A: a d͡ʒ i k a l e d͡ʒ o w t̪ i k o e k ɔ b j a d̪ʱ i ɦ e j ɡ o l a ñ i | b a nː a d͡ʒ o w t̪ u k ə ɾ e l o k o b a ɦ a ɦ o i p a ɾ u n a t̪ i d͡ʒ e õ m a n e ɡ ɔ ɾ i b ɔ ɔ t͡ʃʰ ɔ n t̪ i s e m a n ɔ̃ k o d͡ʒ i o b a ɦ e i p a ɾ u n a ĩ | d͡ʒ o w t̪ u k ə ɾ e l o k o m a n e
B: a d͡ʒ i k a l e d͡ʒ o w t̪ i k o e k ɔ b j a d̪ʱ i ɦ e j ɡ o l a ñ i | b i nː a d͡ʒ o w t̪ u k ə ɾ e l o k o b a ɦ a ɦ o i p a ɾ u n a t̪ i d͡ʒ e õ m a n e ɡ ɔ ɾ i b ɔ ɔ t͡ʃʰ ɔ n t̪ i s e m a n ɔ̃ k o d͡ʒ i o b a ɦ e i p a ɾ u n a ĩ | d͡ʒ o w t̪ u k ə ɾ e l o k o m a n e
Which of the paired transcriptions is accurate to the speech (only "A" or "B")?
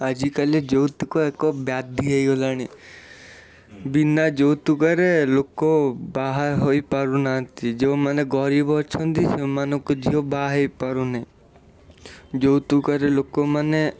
B